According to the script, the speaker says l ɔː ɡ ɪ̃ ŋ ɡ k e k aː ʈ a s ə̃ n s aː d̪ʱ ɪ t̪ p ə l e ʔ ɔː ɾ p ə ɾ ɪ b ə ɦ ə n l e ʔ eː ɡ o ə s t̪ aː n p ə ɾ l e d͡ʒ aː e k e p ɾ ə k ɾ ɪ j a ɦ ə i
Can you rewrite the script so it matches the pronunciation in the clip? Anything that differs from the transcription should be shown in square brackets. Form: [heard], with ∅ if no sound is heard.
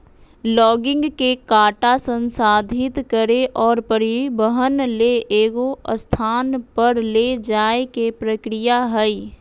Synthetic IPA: l ɔː ɡ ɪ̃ ŋ ɡ k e k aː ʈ a s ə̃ n s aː d̪ʱ ɪ t̪ [k] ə [ɾ] e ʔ ɔː ɾ p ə ɾ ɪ b ə ɦ ə n l e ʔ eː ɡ o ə s [t̪ʰ] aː n p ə ɾ l e d͡ʒ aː e k e p ɾ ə k ɾ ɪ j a ɦ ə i